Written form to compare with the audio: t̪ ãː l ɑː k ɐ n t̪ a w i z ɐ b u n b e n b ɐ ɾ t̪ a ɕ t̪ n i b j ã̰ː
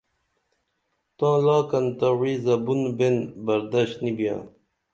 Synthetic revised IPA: t̪ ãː l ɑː k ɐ n t̪ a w i z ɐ b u n b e n b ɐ ɾ d̪ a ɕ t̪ n i b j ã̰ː